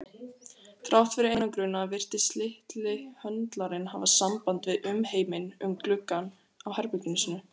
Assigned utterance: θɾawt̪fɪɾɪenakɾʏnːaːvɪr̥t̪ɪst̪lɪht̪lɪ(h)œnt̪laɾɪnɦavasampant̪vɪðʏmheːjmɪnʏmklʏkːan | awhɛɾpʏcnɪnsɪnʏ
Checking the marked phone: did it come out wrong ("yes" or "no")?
no